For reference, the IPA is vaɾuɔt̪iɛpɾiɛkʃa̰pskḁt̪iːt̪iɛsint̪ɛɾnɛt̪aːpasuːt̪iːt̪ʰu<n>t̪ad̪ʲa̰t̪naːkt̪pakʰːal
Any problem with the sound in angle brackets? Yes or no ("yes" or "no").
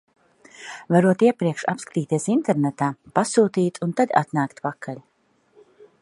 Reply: no